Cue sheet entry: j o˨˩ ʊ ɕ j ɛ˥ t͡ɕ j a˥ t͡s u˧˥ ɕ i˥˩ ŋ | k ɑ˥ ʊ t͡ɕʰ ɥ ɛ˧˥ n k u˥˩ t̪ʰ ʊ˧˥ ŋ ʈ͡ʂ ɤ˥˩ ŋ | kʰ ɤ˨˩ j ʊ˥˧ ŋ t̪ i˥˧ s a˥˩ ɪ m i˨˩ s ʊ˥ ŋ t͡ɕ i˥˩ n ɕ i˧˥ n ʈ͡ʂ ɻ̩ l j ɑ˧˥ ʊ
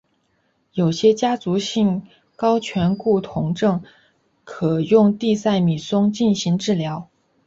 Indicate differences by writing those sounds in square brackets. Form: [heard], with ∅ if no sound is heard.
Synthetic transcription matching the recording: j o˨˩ ʊ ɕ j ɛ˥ t͡ɕ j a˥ t͡s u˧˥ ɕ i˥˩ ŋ | k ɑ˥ ʊ t͡ɕʰ ɥ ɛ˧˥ n k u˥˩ t̪ʰ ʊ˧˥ ŋ ʈ͡ʂ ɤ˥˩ ŋ | kʰ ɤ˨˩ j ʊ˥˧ ŋ t̪ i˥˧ s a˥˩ ɪ m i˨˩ s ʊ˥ ŋ t͡ɕ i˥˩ n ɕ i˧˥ [ŋ] ʈ͡ʂ ɻ̩ l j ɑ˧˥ ʊ